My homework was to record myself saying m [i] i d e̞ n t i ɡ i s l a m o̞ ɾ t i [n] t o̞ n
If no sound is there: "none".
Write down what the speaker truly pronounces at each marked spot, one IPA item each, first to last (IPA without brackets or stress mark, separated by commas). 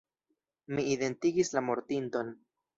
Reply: i, n